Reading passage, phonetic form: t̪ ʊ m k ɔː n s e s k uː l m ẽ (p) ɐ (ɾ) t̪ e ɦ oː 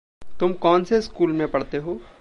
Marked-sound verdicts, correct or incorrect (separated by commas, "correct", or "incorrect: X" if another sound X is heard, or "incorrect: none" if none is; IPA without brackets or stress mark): correct, incorrect: ɽ